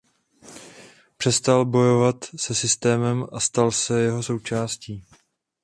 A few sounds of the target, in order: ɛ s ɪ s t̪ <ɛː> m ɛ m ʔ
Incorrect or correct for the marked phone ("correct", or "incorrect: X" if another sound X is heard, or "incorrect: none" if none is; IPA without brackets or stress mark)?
correct